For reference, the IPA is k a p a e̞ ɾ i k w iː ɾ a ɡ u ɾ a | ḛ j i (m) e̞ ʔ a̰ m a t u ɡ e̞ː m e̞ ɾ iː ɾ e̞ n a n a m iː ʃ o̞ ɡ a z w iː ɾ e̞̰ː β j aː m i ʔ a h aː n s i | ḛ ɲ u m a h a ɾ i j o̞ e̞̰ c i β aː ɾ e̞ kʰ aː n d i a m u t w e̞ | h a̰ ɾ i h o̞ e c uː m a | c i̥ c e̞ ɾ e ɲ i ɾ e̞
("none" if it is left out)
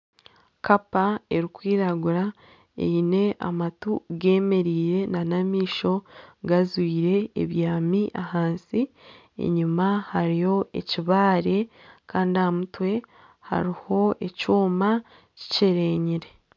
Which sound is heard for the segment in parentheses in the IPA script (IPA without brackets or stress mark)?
n